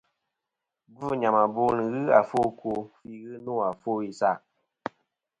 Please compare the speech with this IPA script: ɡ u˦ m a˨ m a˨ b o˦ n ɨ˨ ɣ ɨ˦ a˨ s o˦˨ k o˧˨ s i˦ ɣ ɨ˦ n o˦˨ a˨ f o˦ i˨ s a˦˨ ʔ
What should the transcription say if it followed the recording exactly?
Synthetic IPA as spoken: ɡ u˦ ɲ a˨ m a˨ b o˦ n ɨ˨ ɣ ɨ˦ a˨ f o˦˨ k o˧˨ f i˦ ɣ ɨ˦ n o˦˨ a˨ f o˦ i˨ s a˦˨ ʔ